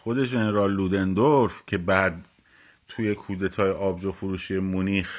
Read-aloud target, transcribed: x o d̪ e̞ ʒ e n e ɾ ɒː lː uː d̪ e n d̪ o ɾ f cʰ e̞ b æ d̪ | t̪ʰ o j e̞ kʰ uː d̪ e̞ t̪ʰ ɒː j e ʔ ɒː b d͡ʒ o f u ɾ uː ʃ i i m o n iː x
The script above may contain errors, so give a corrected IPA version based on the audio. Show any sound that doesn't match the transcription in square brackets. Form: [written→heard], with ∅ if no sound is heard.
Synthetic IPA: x o d̪ e̞ ʒ e n e ɾ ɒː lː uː d̪ e n d̪ o ɾ f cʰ e̞ b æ d̪ | t̪ʰ [o→u] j e̞ kʰ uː d̪ e̞ t̪ʰ ɒː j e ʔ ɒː b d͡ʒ o f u ɾ uː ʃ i [i→e] m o n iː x